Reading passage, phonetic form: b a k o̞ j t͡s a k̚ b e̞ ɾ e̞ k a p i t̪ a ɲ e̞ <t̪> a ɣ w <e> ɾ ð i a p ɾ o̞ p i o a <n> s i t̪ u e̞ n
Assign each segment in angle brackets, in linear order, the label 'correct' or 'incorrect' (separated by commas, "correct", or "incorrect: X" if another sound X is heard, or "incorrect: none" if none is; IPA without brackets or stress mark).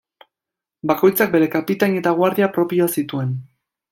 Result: correct, incorrect: a, incorrect: none